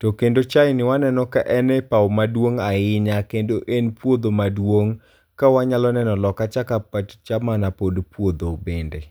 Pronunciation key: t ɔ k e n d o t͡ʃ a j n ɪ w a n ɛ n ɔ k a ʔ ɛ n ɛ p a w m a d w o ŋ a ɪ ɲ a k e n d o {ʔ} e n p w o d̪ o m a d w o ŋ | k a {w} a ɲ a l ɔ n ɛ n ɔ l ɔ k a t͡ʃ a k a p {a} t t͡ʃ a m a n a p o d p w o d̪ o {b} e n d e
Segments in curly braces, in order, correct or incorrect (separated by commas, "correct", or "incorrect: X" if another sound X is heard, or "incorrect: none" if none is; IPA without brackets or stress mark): correct, correct, correct, correct